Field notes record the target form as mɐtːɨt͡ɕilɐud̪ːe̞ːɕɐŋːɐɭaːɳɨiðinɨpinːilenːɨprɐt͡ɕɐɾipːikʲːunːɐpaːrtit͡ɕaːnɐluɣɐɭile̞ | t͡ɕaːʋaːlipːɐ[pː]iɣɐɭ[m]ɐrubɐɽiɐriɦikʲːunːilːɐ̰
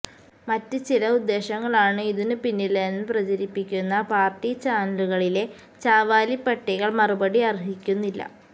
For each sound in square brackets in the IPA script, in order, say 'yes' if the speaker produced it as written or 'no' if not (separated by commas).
no, yes